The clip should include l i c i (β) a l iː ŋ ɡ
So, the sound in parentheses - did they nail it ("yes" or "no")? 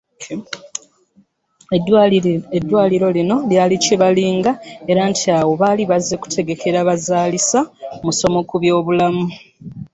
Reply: yes